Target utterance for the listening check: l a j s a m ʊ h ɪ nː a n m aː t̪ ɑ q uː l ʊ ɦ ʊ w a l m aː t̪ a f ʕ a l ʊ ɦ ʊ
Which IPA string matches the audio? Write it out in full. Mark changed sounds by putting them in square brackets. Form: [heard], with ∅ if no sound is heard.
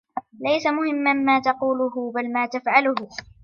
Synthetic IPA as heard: l a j s a m ʊ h ɪ [mː] a n m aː t̪ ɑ q uː l ʊ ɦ ʊ [b] a l m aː t̪ a f ʕ a l ʊ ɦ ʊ